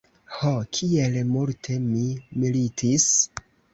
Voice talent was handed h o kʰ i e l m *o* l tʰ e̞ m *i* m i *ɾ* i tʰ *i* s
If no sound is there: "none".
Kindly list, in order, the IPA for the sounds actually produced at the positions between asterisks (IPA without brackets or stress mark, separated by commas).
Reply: u, i, l, i